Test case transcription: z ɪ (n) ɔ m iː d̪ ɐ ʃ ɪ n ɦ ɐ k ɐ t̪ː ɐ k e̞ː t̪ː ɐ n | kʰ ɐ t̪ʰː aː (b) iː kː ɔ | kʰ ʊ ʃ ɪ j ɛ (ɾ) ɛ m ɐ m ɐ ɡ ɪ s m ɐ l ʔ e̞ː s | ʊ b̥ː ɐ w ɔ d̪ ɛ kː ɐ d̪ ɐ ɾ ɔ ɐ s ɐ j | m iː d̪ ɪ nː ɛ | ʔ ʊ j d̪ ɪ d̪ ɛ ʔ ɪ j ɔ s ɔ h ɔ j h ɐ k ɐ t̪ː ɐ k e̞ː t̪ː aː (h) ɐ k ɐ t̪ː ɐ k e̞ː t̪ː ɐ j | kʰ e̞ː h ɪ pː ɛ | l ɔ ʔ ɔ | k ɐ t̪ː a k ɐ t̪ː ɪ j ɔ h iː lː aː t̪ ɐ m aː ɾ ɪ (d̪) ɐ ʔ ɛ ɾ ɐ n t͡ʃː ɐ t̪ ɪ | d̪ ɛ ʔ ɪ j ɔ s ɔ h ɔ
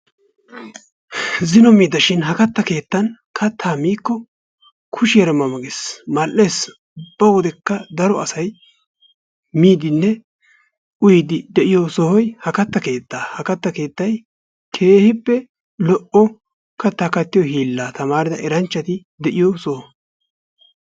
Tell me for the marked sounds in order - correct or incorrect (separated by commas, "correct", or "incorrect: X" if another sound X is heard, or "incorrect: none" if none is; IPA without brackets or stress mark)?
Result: correct, incorrect: m, correct, correct, correct